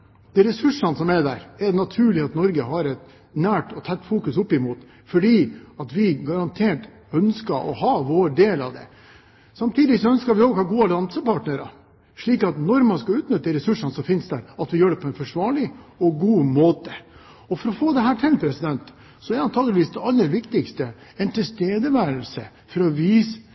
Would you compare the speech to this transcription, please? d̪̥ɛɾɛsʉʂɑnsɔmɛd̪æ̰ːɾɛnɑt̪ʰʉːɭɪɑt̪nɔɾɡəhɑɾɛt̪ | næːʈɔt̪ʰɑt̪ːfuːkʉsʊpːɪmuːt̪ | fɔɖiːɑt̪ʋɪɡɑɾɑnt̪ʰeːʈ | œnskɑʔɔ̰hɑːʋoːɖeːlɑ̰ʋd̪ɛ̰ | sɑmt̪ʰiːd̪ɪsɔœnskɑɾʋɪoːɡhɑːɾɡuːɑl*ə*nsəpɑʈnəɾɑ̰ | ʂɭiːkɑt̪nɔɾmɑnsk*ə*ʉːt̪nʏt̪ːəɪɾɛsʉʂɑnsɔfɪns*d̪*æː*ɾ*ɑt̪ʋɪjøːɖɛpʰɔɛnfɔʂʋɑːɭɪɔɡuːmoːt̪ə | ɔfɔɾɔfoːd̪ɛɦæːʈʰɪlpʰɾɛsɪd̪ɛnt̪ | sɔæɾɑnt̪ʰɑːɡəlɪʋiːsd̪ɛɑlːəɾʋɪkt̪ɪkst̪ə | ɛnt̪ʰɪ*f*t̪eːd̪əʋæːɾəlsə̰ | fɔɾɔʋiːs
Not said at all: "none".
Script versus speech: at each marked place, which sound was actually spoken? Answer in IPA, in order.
ɑ, ɑ, d̪, ɾ, s

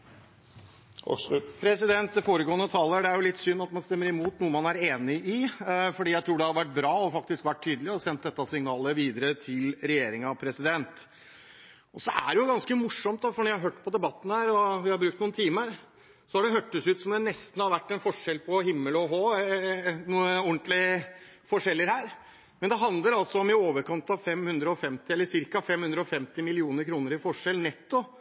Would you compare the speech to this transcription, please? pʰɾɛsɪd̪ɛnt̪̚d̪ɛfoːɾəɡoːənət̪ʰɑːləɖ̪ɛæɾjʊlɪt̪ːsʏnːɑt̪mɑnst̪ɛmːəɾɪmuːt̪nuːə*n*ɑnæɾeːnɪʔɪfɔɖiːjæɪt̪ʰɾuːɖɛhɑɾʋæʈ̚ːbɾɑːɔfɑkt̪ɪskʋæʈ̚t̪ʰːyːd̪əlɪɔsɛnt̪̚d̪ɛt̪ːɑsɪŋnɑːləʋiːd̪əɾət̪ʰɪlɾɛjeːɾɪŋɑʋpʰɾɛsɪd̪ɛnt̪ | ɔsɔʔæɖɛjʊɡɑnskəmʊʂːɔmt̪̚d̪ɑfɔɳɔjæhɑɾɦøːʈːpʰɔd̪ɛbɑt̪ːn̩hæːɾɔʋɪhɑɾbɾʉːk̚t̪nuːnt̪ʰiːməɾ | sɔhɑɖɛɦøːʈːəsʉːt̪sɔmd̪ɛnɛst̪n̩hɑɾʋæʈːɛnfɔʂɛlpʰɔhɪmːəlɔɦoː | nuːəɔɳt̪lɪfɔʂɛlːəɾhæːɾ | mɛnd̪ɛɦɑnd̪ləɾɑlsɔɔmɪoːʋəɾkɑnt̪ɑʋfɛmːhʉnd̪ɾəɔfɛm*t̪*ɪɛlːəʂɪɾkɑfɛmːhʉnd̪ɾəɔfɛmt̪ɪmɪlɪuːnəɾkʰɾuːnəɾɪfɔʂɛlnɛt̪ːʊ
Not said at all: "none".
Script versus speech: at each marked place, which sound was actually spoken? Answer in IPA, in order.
m, t̪

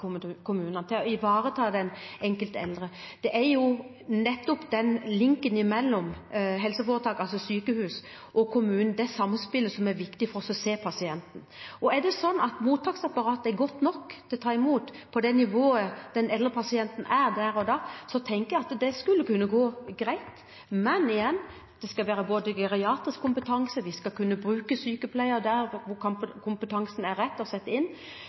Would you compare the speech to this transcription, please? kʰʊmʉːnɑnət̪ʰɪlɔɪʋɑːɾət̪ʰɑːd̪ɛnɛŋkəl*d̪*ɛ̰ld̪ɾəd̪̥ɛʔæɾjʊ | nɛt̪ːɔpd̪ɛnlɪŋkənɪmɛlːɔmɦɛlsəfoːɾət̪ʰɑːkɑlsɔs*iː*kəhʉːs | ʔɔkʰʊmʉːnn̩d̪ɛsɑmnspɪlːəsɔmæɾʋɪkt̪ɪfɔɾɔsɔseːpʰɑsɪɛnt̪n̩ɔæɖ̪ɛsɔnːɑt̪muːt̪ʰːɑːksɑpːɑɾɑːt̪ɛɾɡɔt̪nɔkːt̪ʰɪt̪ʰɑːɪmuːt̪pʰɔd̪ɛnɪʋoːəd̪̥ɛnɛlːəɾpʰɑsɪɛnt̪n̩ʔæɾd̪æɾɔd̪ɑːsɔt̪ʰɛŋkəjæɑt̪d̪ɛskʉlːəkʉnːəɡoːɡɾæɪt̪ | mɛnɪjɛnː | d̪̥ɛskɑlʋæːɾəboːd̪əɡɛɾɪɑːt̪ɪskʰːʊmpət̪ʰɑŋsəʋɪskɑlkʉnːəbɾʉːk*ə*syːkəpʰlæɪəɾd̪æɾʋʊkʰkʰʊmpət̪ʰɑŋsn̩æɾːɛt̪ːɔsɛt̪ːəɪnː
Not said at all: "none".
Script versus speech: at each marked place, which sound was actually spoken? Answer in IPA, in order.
t̪, yː, ə

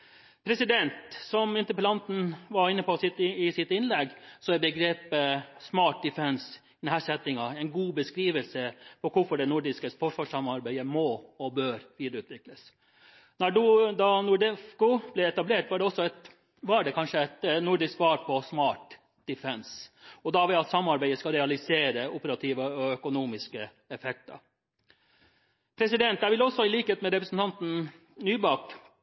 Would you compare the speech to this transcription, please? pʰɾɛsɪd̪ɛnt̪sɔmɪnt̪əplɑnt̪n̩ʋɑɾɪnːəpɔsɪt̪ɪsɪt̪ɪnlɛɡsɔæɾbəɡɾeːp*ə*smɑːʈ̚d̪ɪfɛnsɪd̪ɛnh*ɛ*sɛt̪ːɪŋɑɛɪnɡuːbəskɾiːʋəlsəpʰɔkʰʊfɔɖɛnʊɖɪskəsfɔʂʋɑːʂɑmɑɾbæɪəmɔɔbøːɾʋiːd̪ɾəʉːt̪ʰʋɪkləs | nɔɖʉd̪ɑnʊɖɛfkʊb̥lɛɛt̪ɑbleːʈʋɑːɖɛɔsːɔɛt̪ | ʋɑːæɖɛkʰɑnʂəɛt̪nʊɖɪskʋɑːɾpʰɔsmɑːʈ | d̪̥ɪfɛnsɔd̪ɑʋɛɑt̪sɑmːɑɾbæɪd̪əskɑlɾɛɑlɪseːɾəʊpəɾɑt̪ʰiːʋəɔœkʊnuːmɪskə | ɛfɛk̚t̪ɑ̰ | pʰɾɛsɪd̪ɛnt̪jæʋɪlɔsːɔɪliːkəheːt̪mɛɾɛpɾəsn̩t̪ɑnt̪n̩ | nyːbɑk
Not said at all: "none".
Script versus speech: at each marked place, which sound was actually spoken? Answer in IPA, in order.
ə, æ

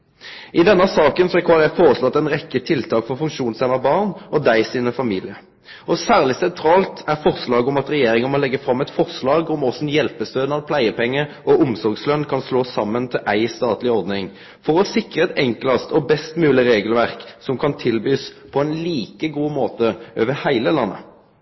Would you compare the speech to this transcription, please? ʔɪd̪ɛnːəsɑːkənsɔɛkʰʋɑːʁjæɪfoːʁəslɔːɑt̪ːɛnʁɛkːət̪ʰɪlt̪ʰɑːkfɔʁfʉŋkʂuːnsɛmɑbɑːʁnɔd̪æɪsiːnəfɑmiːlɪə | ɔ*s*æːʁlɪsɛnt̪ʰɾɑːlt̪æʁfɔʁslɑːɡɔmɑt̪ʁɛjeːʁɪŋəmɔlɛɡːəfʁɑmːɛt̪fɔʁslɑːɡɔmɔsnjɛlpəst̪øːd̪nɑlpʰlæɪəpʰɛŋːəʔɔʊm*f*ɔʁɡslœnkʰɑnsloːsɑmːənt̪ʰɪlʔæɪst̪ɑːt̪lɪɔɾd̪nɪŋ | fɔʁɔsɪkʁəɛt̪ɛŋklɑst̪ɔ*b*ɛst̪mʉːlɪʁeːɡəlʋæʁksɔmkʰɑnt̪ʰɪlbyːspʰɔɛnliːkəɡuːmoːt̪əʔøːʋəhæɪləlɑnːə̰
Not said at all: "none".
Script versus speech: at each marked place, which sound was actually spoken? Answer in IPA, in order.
s, s, b

